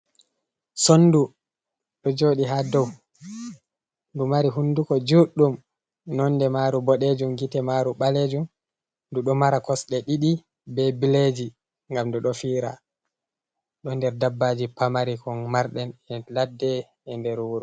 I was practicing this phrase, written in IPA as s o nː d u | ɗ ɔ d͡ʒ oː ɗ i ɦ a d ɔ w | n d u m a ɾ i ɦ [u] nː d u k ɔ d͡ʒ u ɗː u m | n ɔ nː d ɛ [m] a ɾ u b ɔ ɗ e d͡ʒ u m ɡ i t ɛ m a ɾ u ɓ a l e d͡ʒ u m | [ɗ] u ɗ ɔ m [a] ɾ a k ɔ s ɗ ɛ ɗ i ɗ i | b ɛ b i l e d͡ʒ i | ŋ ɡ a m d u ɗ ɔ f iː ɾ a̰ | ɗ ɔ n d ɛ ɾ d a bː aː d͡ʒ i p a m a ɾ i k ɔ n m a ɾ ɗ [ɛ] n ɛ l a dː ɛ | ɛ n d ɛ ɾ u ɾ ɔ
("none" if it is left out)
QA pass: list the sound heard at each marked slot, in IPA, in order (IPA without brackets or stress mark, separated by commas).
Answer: u, m, d, a, ɛ